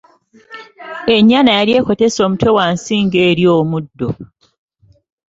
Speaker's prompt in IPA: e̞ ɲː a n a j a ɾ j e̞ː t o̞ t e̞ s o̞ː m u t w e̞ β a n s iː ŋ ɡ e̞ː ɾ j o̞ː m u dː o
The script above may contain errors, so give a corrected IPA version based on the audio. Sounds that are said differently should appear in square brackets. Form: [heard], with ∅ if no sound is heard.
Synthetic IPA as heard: e̞ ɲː a n a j a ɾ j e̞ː [k] o̞ t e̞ s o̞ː m u t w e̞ [w] a n s iː ŋ ɡ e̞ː ɾ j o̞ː m u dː o